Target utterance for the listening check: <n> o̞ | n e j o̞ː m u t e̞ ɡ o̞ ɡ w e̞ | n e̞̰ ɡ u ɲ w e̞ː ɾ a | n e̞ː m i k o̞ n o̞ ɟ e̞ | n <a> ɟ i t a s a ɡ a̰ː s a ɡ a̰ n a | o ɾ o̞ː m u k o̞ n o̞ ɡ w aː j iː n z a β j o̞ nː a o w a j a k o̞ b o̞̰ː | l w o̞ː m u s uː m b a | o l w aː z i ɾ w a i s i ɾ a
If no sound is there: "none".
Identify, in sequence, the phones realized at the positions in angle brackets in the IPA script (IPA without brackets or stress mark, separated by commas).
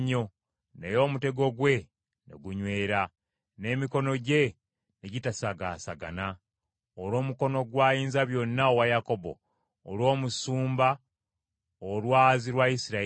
ɲ, e